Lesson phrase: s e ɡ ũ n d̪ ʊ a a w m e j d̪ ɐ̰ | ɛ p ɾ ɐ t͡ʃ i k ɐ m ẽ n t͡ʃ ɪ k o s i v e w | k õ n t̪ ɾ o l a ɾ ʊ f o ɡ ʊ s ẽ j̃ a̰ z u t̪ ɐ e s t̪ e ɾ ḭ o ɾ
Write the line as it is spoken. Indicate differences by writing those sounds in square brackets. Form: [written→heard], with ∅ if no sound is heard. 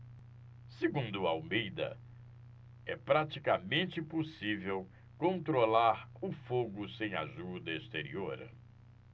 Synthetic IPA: s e ɡ ũ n d̪ ʊ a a w m e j d̪ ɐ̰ | ɛ p ɾ [ɐ→a] t͡ʃ i k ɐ m ẽ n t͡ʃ ɪ [k→p] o s i v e w | k õ n t̪ ɾ o l a ɾ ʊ f o ɡ ʊ s ẽ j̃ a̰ [z→ʒ] u [t̪→d̪] ɐ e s t̪ e ɾ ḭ o ɾ